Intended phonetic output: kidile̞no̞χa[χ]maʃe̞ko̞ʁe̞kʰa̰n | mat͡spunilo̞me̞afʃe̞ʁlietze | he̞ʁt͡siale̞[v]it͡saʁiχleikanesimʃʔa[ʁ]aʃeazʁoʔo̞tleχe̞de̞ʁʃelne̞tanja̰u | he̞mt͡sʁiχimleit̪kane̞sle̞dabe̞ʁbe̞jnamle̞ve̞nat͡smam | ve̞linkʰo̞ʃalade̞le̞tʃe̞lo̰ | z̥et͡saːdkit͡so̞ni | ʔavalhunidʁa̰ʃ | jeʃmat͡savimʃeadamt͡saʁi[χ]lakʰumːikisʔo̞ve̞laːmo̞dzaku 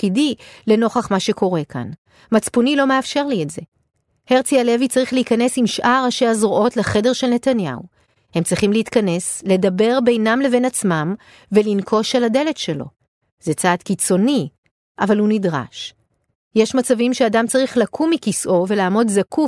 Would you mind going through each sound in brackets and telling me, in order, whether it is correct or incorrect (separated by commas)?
correct, correct, correct, correct